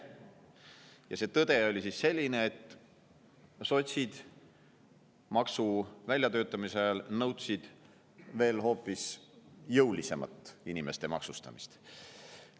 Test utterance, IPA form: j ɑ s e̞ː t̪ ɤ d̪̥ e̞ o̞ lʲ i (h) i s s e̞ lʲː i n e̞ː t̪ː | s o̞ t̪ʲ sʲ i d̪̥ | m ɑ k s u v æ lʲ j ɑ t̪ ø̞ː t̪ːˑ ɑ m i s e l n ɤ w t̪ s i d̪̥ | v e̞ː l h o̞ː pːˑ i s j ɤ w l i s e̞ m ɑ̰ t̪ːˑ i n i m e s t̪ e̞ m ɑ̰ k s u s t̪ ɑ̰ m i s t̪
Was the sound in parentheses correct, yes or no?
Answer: no